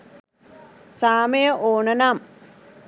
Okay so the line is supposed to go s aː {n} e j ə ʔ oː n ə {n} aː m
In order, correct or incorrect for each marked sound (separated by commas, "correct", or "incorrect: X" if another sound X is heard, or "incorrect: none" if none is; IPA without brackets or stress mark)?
incorrect: m, correct